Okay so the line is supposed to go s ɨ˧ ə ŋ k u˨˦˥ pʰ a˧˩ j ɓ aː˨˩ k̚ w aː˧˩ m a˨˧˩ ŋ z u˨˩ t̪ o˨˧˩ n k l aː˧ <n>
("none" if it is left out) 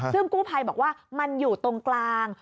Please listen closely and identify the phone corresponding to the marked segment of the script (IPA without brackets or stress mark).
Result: ŋ